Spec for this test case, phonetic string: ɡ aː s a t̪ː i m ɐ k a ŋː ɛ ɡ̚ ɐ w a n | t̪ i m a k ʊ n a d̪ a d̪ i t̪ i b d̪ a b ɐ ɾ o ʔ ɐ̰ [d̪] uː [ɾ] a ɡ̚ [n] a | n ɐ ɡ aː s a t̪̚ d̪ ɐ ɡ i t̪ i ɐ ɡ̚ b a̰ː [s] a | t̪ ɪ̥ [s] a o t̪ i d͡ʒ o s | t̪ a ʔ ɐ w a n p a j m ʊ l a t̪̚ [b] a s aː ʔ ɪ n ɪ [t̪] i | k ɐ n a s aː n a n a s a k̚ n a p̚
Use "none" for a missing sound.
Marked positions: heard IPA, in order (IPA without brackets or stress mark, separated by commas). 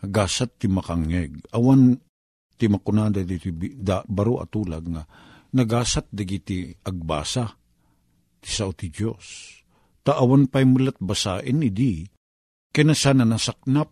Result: t̪, l, ŋ, s, s, b, d̪